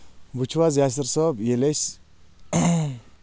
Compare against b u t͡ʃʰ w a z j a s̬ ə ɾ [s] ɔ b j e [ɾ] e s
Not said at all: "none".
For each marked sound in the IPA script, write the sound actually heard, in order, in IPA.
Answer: s, l

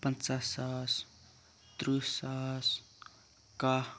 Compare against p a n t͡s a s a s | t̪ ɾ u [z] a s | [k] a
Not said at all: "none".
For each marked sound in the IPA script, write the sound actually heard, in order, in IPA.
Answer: s, k

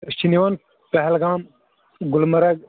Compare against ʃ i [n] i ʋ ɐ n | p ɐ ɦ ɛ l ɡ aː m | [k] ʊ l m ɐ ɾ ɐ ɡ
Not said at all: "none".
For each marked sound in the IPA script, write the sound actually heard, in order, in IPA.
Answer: n, ɡ

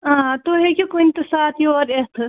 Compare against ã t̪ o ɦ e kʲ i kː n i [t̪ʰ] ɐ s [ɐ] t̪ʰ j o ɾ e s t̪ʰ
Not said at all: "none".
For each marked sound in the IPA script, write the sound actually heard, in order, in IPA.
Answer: t̪, a

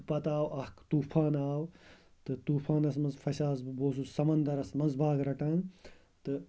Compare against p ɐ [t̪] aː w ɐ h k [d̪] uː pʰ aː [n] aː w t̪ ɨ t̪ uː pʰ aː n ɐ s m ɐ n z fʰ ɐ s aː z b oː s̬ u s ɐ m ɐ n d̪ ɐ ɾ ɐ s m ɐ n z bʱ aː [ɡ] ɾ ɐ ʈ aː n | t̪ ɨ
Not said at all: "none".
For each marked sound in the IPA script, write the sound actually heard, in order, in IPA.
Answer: t̪, t̪, n, ɡ

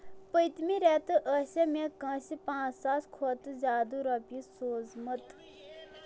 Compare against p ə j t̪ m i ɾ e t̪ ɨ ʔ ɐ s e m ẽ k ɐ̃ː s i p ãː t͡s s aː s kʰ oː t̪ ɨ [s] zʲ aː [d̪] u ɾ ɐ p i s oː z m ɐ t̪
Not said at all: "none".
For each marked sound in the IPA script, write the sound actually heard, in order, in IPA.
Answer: none, d̪

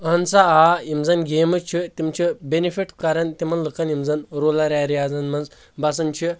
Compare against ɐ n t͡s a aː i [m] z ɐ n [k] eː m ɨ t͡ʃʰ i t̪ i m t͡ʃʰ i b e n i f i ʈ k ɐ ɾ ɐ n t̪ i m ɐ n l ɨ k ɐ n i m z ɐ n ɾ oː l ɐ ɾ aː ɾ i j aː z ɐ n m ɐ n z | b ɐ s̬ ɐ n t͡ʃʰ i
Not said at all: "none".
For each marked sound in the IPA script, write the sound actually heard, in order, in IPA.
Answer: m, ɡ

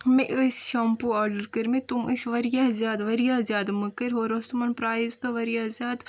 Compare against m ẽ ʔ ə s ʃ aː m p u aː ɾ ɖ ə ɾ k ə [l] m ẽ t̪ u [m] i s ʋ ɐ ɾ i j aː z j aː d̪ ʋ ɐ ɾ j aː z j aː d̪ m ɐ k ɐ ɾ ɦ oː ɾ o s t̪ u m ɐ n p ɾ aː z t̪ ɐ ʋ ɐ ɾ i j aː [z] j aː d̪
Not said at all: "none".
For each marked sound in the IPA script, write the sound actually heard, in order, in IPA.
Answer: ɾ, m, z

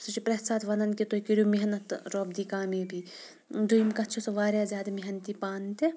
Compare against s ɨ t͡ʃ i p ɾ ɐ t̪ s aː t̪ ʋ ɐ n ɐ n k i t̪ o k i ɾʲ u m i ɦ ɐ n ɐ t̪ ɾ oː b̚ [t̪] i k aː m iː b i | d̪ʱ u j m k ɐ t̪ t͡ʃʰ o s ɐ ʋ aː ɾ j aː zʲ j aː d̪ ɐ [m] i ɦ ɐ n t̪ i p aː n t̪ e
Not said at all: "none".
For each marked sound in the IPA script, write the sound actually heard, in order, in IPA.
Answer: d̪, m

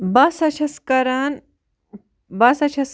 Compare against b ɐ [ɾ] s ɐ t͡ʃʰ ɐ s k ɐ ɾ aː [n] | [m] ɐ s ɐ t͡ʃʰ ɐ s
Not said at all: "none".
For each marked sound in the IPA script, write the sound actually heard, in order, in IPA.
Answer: none, n, b

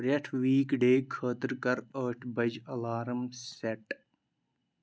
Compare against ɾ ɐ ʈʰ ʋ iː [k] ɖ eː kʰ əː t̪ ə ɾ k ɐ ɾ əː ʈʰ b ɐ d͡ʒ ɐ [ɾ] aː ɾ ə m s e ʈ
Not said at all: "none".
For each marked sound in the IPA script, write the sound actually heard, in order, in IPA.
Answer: k, l

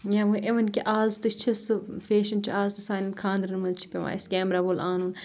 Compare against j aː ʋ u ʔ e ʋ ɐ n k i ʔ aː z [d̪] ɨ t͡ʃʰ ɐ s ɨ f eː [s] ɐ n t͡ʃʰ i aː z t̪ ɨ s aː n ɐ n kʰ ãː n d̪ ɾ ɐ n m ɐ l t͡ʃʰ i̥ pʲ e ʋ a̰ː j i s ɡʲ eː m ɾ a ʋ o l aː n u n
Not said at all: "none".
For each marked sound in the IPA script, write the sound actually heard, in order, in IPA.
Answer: t̪, ʃ

